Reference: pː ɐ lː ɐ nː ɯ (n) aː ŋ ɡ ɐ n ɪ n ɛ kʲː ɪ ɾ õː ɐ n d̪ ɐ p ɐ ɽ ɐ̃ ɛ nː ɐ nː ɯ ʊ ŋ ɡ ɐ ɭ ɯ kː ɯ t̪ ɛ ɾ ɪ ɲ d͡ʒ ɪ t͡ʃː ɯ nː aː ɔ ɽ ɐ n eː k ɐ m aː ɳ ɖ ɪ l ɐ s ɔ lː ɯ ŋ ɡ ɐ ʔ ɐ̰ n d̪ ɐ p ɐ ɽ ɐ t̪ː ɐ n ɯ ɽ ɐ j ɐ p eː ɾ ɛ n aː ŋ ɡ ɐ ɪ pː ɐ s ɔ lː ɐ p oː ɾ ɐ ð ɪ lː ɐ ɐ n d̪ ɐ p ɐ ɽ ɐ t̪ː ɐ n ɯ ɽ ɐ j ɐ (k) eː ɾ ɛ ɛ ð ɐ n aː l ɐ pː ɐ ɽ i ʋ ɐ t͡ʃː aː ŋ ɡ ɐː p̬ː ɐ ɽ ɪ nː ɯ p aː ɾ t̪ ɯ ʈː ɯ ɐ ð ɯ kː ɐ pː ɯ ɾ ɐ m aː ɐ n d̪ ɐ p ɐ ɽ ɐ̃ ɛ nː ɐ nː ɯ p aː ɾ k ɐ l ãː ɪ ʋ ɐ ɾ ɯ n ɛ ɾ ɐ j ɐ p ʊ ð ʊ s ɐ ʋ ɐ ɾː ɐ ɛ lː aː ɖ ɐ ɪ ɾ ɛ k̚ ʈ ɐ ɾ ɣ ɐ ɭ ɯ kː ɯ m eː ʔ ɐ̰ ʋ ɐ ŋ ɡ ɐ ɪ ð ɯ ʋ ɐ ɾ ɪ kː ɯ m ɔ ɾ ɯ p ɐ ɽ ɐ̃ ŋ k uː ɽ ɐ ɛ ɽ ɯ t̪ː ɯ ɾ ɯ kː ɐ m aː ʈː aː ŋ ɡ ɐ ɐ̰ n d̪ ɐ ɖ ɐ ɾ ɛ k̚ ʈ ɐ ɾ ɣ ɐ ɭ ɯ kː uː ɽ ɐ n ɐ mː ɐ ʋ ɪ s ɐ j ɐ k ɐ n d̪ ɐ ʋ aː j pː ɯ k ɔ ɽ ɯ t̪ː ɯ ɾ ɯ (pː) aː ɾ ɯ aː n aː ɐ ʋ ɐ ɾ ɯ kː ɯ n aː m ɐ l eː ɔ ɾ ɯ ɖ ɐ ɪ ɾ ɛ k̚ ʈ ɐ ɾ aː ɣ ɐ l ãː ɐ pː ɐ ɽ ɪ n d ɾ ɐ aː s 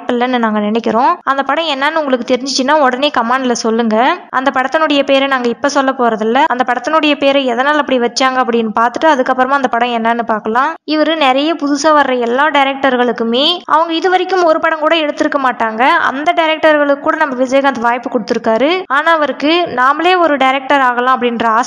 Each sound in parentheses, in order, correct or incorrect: correct, incorrect: p, incorrect: kː

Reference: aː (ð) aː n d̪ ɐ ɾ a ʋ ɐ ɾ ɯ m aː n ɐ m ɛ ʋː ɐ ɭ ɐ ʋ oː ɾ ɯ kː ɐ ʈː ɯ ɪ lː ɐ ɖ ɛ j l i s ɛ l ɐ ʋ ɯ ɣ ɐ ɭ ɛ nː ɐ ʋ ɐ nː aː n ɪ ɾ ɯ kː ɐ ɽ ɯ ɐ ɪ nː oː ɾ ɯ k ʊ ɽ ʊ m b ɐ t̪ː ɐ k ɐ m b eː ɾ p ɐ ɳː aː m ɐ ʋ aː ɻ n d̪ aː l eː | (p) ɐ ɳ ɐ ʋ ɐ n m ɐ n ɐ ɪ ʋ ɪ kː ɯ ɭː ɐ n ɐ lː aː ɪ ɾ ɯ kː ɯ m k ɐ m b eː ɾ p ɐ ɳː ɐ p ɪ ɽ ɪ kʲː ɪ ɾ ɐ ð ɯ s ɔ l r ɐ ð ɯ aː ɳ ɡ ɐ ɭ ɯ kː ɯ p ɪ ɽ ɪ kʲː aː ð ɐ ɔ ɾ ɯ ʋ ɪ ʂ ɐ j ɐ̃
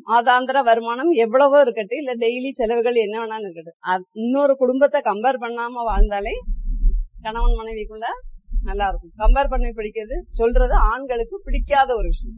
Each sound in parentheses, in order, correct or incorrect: correct, incorrect: k

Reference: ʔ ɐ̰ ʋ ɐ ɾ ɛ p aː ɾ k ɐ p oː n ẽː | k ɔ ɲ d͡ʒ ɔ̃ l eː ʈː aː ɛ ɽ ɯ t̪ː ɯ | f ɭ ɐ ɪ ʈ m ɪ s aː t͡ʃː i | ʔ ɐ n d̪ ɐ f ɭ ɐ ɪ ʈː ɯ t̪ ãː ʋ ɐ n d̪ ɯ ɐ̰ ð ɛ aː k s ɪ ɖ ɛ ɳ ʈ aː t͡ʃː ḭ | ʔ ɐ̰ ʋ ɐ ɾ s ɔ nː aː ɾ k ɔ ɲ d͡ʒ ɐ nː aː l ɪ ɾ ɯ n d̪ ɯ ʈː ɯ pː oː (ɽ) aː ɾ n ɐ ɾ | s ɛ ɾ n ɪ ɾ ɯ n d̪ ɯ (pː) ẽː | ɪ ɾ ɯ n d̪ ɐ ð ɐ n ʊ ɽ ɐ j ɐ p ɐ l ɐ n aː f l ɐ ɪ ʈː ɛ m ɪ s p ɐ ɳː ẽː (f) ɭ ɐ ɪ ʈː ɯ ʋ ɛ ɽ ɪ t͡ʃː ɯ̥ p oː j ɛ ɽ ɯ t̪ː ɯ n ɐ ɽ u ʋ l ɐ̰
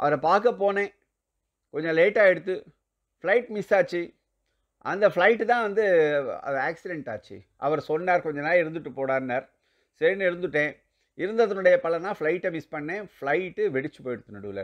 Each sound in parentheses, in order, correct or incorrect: correct, incorrect: ʈː, correct

